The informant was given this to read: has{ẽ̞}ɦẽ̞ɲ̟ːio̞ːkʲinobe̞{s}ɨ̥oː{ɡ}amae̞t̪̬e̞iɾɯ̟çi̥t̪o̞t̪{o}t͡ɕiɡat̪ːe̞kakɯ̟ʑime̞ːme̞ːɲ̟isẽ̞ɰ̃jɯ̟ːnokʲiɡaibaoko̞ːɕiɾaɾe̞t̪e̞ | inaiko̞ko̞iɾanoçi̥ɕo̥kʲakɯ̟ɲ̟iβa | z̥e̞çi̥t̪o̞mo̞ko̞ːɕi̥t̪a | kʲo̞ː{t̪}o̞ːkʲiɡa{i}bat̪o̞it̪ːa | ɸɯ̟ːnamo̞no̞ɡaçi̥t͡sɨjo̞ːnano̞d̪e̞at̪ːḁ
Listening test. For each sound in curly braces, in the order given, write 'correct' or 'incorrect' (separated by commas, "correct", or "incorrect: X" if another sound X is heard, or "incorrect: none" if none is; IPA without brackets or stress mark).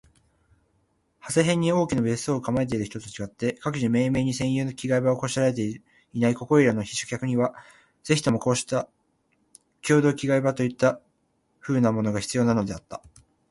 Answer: incorrect: e̞, correct, incorrect: k, correct, incorrect: d̪, correct